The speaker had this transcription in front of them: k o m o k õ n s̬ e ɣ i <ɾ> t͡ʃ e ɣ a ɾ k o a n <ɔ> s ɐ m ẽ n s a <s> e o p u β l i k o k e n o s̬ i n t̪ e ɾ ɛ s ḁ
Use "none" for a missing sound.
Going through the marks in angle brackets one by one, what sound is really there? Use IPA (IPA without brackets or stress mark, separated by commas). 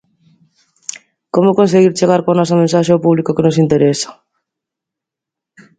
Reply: ɾ, ɔ, ʃ